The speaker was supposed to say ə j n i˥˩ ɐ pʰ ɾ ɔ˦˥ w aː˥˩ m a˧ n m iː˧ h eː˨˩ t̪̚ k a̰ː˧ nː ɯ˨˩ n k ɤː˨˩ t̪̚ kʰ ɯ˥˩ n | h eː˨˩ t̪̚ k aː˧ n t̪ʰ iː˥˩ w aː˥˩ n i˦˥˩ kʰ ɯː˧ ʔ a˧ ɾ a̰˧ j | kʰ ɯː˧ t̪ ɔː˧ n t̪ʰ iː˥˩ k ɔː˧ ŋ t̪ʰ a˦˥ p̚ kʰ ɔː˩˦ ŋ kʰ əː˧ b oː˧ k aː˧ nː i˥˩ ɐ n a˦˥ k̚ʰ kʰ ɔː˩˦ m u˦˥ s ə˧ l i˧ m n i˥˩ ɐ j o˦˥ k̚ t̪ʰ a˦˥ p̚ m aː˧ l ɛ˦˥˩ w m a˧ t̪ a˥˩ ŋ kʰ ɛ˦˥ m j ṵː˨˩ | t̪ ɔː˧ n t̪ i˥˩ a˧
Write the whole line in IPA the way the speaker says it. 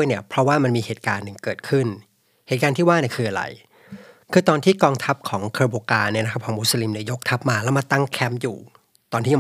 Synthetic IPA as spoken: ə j n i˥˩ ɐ pʰ ɾ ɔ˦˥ w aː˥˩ m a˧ n m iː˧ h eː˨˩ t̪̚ k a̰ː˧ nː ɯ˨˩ ŋ k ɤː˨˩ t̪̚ kʰ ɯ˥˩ n | h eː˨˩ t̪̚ k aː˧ n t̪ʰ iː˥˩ w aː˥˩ n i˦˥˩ kʰ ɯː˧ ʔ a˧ ɾ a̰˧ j | kʰ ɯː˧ t̪ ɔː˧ n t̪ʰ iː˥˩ k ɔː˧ ŋ t̪ʰ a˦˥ p̚ kʰ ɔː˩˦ ŋ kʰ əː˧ b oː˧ k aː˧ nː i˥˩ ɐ n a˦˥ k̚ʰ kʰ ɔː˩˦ m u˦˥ s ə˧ l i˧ m n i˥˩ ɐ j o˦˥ k̚ t̪ʰ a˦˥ p̚ m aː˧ l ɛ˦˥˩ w m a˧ t̪ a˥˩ ŋ kʰ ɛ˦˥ m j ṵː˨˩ | t̪ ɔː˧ n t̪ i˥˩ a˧